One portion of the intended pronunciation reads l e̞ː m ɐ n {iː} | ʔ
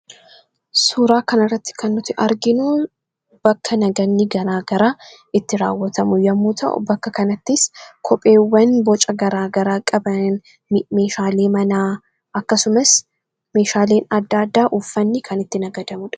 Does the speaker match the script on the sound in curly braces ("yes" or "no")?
no